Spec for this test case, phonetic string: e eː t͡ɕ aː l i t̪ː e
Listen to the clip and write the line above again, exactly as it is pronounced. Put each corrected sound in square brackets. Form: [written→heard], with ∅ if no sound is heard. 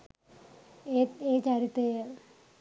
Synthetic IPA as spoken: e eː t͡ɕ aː [l→ɾ] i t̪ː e